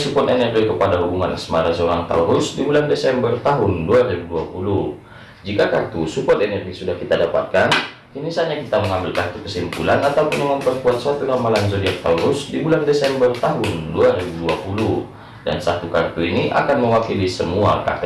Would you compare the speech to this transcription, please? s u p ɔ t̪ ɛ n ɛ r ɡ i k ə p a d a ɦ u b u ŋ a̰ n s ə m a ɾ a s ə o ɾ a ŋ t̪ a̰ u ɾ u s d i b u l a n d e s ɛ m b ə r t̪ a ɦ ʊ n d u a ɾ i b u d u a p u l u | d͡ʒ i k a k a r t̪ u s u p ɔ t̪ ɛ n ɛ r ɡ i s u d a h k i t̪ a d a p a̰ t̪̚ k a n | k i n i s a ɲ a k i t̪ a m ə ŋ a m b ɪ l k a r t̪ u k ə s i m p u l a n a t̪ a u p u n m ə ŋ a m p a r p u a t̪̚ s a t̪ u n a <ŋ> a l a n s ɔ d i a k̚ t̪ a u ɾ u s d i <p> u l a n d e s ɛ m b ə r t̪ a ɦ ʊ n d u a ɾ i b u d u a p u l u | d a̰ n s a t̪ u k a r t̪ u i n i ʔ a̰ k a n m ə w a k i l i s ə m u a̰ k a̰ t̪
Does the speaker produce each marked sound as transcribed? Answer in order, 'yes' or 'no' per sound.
no, no

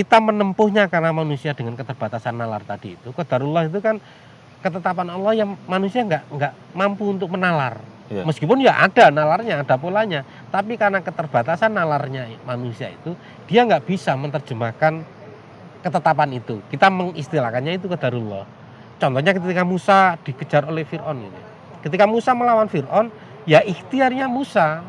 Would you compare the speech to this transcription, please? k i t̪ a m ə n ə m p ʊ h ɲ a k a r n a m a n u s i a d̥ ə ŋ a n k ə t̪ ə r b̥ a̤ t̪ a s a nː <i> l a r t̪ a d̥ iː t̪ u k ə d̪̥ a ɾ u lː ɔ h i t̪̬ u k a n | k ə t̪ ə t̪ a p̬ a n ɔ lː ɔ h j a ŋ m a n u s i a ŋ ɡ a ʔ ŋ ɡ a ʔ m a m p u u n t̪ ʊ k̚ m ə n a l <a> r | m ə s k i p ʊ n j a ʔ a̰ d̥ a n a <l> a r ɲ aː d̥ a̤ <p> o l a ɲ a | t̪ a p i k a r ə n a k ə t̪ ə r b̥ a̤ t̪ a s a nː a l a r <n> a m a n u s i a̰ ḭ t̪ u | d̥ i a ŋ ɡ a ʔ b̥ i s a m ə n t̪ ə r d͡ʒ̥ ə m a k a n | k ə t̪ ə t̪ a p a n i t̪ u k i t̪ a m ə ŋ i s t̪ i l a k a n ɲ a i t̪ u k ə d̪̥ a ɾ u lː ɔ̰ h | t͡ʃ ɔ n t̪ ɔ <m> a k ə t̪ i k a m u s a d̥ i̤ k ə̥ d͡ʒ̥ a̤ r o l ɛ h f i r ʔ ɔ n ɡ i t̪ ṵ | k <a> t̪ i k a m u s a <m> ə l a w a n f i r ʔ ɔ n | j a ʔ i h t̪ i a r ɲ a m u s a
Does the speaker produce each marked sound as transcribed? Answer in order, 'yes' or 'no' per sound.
no, yes, yes, yes, no, no, no, yes

